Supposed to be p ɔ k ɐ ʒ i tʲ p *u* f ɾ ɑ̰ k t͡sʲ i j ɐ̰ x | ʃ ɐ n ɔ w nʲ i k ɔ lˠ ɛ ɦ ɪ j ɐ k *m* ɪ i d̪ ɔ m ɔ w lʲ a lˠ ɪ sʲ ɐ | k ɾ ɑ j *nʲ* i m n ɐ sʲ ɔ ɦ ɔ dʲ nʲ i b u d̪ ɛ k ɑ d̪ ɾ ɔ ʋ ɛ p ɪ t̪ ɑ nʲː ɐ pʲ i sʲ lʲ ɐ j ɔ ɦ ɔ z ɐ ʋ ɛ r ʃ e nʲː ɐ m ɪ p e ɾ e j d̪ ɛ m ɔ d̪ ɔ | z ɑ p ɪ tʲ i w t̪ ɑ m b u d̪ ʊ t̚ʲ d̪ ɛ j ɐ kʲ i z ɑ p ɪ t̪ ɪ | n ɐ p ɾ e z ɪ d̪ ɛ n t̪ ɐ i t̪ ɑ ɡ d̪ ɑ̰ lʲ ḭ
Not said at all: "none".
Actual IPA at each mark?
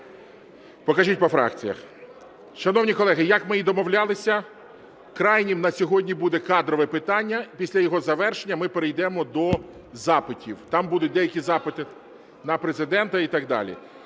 ɔ, m, nʲ

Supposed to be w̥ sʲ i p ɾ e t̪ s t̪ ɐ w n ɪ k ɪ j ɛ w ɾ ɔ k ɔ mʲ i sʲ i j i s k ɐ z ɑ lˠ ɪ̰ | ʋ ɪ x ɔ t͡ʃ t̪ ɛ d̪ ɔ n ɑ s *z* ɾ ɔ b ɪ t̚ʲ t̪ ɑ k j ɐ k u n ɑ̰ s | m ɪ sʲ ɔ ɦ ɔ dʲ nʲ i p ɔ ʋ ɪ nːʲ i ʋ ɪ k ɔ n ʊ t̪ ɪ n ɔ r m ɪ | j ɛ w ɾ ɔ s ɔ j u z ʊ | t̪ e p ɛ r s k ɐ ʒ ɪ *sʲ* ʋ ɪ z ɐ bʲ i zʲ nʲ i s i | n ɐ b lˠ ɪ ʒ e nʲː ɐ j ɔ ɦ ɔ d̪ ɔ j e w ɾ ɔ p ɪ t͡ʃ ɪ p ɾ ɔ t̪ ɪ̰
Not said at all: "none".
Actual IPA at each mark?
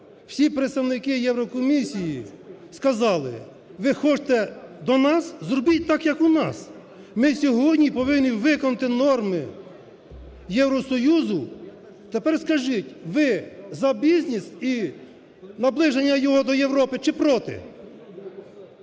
z, tʲ

